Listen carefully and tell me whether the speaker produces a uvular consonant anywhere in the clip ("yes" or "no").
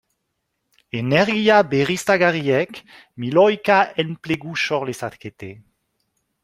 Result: yes